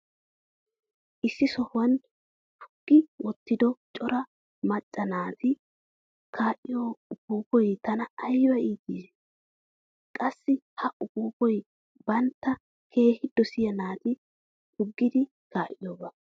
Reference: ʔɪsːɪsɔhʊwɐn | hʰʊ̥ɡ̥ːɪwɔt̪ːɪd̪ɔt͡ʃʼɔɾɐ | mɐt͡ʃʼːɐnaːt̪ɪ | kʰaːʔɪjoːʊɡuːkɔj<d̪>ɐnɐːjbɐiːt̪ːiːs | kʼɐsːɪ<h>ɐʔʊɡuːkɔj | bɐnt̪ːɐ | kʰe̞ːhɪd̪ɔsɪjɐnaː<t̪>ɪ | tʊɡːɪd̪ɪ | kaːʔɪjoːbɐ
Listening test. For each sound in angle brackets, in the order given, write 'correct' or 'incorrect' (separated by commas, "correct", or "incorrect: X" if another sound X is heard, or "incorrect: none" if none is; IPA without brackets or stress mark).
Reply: incorrect: t̪, correct, correct